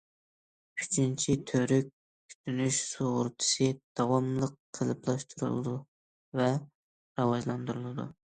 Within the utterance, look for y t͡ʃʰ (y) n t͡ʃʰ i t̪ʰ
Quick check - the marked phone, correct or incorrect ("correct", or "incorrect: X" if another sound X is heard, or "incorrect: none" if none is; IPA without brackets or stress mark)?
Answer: incorrect: i